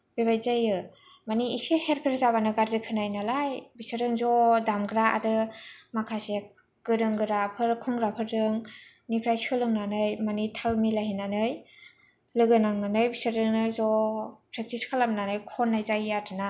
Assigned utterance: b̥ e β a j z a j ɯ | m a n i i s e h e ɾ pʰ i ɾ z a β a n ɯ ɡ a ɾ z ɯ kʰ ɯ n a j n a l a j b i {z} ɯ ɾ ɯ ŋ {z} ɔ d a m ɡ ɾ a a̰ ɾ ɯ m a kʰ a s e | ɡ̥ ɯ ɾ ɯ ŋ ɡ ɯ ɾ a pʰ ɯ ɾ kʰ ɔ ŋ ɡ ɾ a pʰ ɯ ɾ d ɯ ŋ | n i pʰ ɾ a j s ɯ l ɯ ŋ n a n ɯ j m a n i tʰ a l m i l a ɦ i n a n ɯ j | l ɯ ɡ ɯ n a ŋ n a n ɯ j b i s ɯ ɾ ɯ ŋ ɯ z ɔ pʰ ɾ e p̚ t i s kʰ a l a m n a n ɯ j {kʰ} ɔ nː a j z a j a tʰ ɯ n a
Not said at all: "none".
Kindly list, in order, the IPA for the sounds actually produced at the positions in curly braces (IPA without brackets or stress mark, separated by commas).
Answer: s, z, kʰ